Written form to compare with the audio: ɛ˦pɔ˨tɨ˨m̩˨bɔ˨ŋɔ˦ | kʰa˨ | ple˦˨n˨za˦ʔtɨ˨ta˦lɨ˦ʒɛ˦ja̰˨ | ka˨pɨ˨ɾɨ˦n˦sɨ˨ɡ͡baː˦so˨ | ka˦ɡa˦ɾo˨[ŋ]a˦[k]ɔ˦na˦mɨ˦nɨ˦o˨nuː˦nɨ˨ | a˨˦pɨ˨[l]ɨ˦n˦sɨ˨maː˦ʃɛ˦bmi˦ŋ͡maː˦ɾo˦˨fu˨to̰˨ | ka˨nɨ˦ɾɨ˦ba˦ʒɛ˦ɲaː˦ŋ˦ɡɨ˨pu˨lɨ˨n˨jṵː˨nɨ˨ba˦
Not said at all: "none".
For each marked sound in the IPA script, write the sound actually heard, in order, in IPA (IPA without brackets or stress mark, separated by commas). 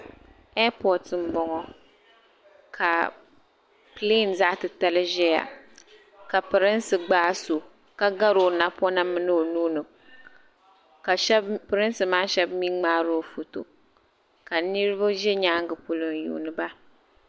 n, p, ɾ